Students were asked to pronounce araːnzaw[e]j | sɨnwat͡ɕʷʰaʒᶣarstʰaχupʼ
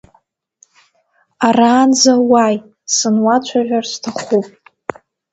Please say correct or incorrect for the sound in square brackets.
incorrect